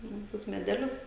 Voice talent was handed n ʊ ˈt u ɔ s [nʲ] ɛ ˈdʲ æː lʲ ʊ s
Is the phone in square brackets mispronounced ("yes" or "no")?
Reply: yes